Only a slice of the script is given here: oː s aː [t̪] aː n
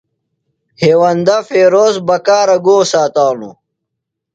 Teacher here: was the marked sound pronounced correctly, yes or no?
yes